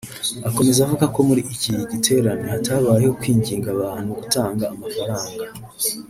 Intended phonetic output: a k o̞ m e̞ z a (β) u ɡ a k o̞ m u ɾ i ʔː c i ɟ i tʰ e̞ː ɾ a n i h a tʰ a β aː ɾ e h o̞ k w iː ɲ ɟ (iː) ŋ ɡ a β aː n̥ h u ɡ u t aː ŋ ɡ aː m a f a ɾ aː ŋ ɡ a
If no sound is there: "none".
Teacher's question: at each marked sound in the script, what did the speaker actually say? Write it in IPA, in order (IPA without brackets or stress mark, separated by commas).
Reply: v, iː